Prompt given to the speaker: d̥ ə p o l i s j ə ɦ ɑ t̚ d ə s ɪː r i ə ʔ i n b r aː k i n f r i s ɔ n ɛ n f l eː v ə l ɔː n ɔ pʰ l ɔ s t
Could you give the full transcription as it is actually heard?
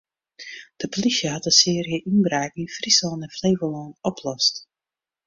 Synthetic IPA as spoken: d̥ ə p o l i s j ə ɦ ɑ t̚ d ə s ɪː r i ə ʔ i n b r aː k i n f r i s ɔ n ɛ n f l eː v ə l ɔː n ɔ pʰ l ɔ s t